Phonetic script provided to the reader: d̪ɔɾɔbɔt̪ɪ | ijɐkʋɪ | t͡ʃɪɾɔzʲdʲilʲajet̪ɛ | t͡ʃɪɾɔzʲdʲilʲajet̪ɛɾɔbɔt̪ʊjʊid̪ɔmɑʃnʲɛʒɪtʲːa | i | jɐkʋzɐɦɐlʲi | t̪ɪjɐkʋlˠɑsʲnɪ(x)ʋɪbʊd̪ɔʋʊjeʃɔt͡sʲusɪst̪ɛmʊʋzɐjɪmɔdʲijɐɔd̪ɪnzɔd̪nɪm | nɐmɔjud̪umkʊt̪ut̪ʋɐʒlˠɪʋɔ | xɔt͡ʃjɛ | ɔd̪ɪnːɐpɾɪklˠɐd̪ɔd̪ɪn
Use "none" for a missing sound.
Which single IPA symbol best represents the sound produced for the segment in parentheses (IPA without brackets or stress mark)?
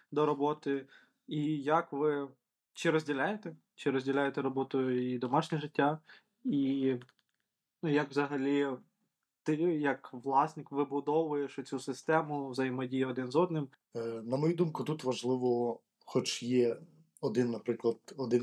k